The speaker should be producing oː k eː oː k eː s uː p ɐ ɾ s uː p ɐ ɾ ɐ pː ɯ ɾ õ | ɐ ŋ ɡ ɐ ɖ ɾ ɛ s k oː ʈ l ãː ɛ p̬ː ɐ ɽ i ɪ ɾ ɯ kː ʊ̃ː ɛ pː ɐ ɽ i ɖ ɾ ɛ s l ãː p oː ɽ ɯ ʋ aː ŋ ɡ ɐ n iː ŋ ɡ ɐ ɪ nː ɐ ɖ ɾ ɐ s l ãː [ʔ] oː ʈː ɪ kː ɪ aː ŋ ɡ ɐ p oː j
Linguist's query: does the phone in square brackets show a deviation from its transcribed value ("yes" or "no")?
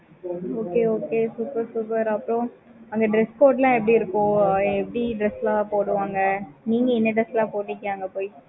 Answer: yes